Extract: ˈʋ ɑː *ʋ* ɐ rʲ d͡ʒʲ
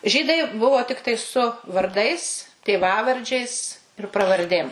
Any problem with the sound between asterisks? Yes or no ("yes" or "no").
no